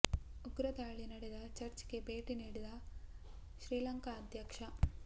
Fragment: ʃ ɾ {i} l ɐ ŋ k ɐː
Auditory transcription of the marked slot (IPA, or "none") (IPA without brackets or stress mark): iː